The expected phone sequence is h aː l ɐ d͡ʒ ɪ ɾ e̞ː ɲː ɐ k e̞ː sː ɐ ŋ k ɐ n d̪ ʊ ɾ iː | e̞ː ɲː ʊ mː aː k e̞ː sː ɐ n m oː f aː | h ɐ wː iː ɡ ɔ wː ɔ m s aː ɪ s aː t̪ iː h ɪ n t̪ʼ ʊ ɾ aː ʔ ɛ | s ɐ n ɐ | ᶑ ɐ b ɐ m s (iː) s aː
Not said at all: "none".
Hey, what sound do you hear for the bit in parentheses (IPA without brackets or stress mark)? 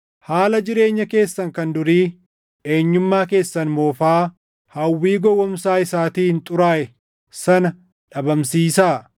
iː